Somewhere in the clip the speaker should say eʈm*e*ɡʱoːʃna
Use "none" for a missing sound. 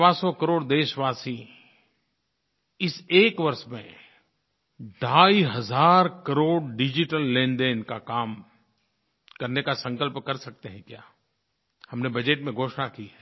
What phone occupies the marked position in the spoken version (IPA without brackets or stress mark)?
ẽ